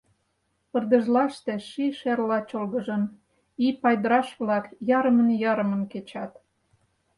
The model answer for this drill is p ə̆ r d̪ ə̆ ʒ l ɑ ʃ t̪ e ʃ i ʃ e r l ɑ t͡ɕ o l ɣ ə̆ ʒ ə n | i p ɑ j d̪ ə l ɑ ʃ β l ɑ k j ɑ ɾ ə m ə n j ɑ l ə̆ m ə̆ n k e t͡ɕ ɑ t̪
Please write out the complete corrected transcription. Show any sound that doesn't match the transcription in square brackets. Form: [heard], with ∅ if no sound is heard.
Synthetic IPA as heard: p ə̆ r d̪ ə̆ ʒ l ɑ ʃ t̪ e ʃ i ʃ e r l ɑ t͡ɕ o l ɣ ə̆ ʒ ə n | i p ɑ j d̪ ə [ɾ] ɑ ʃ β l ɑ k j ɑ ɾ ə m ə n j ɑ [ɾ] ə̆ m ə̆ n k e t͡ɕ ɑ t̪